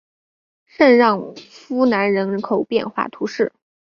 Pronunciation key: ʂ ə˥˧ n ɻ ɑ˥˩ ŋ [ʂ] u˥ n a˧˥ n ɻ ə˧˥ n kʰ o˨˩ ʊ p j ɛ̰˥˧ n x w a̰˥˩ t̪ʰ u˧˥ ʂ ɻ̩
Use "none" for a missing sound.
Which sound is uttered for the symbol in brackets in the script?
f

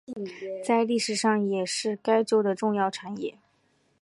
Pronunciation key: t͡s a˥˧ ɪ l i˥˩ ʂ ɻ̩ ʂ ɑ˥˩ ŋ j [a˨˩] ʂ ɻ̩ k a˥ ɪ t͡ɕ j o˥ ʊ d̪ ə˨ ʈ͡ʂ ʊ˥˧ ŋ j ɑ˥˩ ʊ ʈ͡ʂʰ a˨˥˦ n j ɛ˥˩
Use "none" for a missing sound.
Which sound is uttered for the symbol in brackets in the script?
ɛ˨˩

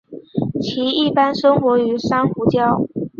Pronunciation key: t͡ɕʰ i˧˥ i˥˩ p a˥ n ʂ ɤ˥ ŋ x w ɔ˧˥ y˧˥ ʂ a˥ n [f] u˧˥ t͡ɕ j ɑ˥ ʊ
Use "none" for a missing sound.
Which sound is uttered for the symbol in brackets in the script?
x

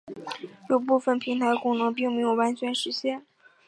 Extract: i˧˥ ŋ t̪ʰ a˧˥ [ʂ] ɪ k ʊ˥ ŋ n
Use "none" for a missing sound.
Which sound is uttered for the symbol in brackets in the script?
none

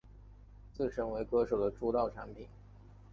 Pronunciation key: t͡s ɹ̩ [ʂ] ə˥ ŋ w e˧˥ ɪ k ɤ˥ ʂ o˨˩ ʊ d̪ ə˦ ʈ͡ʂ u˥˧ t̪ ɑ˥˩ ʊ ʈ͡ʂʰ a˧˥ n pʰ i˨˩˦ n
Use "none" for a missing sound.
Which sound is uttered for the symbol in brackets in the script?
ʂ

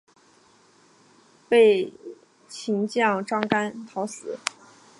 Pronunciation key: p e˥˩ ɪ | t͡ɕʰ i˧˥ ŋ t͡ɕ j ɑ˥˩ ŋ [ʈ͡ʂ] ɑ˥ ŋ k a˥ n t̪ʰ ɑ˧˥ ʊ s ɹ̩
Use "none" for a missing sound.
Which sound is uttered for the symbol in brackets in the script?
ʈ͡ʂ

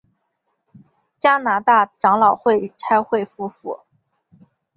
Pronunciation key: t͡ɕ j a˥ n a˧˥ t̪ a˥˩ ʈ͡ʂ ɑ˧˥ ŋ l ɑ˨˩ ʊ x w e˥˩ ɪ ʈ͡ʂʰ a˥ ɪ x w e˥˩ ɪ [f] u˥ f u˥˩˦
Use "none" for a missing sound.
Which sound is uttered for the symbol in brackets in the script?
f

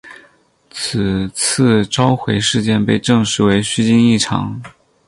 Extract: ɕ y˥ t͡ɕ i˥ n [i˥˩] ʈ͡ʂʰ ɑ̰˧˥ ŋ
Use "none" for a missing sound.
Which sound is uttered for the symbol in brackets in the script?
i˥˩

